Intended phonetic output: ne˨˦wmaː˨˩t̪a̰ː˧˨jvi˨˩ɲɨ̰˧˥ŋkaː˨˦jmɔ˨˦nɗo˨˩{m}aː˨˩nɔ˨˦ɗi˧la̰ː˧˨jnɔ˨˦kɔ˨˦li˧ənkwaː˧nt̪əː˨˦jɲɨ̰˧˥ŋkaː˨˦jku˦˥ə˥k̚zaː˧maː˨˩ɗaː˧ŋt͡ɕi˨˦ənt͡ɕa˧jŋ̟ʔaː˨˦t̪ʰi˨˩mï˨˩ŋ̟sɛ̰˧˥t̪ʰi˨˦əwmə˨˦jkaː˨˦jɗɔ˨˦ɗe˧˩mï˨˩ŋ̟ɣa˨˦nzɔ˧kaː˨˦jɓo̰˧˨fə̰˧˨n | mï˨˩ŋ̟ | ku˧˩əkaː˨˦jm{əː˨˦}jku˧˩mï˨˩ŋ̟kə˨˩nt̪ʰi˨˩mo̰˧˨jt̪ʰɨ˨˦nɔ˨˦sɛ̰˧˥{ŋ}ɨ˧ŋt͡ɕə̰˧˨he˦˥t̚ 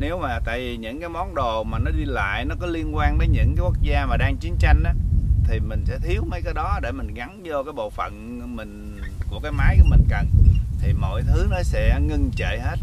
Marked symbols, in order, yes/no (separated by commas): yes, no, yes